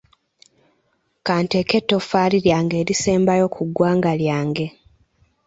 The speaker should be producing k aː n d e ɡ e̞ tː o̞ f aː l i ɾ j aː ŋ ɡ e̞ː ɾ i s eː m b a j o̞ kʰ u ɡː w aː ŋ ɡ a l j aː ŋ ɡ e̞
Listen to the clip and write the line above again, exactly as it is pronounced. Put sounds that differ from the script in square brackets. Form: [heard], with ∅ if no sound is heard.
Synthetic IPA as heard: k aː n [t] e [k] e̞ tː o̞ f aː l i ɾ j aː ŋ ɡ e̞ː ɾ i s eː m b a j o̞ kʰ u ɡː w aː ŋ ɡ a l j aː ŋ ɡ e̞